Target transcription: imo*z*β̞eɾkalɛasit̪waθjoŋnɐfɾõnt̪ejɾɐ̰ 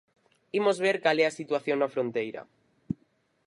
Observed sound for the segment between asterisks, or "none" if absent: z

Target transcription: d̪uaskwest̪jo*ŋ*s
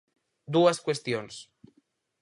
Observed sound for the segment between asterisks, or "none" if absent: n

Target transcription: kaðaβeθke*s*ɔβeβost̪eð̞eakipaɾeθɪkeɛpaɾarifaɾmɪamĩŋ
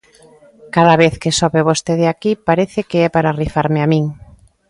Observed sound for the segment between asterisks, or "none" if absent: s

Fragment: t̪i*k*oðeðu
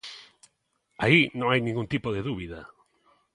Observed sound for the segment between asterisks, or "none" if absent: p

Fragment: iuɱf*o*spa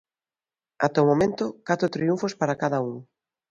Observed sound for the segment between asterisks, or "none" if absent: o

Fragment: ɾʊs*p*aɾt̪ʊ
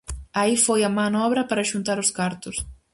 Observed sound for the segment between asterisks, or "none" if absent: k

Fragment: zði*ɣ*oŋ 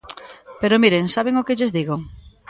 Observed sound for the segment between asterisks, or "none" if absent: ɣ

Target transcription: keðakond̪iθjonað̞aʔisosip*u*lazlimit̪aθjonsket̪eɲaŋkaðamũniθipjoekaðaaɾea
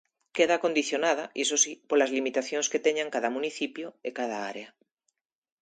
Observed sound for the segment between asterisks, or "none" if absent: o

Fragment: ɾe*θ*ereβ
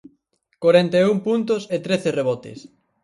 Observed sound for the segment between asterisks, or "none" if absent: θ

